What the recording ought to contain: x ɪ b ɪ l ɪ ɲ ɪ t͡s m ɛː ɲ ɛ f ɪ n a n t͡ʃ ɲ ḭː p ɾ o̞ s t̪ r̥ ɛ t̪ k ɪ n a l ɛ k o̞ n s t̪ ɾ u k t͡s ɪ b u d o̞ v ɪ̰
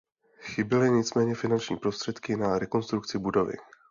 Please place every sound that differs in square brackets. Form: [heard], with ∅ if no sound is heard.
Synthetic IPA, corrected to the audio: x ɪ b ɪ l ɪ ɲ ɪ t͡s m ɛː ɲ ɛ f ɪ n a n t͡ʃ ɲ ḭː p ɾ o̞ s t̪ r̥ ɛ t̪ k ɪ n a [ɾ] ɛ k o̞ n s t̪ ɾ u k t͡s ɪ b u d o̞ v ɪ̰